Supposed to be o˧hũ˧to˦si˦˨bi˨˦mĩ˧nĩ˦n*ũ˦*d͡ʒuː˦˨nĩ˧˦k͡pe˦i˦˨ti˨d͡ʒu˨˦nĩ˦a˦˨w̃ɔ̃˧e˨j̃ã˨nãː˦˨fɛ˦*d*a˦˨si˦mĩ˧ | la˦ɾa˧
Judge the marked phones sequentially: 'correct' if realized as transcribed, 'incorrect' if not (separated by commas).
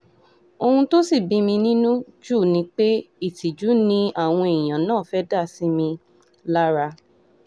correct, correct